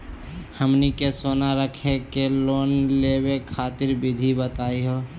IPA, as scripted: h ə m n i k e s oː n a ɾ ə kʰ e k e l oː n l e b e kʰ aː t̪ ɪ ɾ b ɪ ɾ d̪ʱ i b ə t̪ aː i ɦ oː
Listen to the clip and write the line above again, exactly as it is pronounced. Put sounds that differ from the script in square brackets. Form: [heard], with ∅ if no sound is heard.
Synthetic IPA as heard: h ə m n i k e s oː n a ɾ ə kʰ e k e l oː n l e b e kʰ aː t̪ ɪ ɾ b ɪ [∅] d̪ʱ i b ə t̪ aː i ɦ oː